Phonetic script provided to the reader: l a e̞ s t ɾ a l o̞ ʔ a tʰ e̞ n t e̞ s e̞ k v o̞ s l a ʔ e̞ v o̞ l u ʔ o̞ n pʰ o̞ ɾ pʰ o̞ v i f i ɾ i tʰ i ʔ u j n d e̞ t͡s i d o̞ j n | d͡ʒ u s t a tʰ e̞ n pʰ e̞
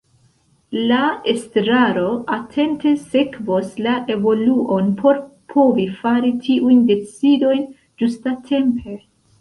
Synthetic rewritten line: l a e̞ s t ɾ a ɾ o̞ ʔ a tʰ e̞ n t e̞ s e̞ k v o̞ s l a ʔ e̞ v o̞ l u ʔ o̞ n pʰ o̞ ɾ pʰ o̞ v i f a ɾ i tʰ i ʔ u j n d e̞ t͡s i d o̞ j n | d͡ʒ u s t a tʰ e̞ m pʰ e̞